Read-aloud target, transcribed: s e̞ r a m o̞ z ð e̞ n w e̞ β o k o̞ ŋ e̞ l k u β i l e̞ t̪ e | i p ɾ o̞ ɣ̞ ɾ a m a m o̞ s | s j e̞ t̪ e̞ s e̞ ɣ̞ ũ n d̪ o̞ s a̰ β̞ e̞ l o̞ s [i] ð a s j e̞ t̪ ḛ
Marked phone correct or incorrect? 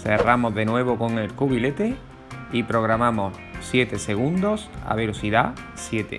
correct